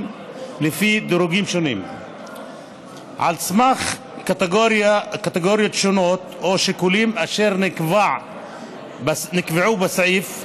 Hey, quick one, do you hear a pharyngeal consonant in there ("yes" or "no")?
yes